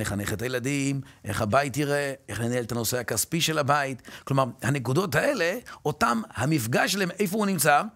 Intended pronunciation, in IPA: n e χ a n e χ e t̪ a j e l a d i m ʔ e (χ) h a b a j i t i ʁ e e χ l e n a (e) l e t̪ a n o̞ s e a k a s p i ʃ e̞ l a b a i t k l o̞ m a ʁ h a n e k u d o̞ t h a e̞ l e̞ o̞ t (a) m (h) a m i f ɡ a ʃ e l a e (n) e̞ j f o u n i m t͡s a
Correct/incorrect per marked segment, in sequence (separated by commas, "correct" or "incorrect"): correct, correct, correct, correct, incorrect